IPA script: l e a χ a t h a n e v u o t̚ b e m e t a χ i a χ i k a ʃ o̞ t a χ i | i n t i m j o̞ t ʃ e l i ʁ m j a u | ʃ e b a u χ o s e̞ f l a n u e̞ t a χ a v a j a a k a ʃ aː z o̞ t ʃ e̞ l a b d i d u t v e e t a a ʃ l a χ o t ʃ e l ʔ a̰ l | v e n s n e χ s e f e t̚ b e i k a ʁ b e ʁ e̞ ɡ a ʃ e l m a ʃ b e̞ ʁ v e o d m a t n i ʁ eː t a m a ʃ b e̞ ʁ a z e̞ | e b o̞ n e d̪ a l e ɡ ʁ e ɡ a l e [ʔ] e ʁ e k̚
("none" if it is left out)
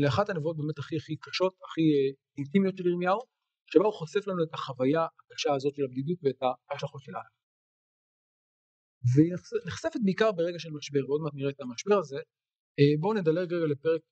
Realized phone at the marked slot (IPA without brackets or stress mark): p